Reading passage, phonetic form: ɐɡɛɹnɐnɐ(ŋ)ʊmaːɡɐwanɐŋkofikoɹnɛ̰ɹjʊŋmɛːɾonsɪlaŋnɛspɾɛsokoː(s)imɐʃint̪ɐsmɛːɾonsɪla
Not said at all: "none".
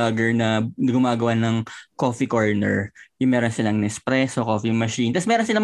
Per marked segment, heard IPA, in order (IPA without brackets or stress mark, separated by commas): ɡ, f